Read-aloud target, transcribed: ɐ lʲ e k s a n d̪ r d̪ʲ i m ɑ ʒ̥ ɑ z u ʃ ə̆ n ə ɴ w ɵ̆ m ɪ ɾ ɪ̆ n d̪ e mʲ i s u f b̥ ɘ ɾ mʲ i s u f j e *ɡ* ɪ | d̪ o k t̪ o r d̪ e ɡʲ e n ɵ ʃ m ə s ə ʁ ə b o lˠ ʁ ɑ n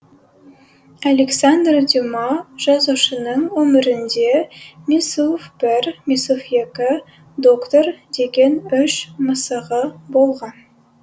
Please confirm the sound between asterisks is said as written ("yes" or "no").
no